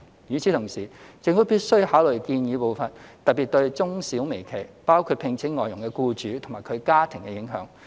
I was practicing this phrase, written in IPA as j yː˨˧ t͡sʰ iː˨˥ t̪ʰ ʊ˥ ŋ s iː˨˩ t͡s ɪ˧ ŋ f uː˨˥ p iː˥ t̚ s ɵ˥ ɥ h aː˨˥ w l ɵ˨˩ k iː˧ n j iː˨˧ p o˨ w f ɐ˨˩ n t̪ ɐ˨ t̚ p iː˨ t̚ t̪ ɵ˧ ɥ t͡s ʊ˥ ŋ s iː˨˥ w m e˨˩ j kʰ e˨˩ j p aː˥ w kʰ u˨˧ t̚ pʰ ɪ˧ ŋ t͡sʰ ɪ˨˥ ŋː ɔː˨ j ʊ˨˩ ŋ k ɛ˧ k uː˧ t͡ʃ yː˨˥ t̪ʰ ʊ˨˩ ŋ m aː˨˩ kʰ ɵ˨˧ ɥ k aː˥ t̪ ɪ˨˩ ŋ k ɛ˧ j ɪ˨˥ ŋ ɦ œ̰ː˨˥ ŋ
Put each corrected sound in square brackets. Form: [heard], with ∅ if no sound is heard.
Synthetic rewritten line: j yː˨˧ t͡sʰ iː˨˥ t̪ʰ [ʊ˨˩] ŋ s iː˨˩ t͡s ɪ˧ ŋ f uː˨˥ p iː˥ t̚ s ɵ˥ ɥ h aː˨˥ w l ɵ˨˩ k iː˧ n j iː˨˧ p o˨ w f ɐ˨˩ n t̪ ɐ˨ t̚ p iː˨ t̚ t̪ ɵ˧ ɥ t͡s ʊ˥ ŋ s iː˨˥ w m e˨˩ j kʰ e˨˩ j p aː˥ w kʰ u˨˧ t̚ pʰ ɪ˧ ŋ t͡sʰ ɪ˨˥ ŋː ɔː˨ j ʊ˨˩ ŋ k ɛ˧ k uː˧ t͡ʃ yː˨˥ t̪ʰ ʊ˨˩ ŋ m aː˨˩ kʰ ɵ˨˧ ɥ k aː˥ [t̪ʰ] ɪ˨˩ ŋ k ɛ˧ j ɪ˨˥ ŋ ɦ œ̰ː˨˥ ŋ

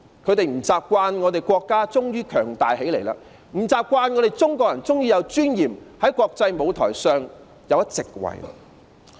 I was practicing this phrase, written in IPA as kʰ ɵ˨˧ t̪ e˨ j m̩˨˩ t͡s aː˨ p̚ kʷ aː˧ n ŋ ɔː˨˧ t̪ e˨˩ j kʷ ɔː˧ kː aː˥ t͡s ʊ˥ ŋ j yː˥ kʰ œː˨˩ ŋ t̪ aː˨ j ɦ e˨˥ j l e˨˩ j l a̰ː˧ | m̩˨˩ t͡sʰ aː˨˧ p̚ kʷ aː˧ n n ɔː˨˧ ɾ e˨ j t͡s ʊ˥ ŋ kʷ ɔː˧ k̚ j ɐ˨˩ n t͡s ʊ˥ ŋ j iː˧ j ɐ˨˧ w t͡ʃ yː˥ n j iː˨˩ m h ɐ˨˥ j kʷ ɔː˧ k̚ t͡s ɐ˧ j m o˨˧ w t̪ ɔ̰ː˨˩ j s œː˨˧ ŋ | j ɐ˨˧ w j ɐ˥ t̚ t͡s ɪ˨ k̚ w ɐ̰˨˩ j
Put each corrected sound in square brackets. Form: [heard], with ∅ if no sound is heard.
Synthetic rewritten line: kʰ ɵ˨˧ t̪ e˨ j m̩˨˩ t͡s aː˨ p̚ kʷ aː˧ n ŋ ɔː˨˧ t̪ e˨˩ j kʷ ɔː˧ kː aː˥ t͡s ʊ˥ ŋ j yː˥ kʰ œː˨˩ ŋ t̪ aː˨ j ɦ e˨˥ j l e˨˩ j l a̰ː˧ | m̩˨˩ [t͡s] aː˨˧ p̚ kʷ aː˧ n [ŋ] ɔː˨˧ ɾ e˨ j t͡s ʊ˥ ŋ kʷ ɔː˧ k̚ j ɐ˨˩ n t͡s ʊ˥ ŋ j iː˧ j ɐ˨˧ w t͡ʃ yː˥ n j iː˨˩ m h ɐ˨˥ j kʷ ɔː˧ k̚ t͡s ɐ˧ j m o˨˧ w [t̪ʰ] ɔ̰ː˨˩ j s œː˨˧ ŋ | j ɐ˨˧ w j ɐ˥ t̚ t͡s ɪ˨ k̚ w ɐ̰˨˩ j

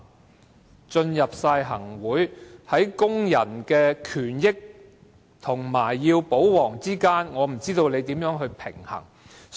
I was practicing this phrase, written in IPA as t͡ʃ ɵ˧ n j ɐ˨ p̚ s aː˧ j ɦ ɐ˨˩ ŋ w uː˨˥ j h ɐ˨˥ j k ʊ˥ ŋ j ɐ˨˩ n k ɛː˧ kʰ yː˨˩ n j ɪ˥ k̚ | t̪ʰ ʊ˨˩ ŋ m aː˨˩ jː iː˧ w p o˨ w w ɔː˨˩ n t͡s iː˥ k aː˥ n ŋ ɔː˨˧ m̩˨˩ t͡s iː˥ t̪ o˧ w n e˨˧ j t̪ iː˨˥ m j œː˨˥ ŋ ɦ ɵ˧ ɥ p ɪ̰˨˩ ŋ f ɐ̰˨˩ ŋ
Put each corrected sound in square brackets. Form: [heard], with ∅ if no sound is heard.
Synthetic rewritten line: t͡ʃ ɵ˧ n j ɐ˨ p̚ s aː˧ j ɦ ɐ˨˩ ŋ w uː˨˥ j h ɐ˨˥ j k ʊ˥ ŋ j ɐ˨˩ n k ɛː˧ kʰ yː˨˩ n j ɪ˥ k̚ | t̪ʰ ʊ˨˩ ŋ m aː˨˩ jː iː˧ w p [o˨˥] w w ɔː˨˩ [ŋ] t͡s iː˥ k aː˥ n ŋ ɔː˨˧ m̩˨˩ t͡s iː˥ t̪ o˧ w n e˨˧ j t̪ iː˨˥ m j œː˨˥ ŋ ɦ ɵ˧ ɥ [pʰ] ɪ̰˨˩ ŋ [h] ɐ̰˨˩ ŋ

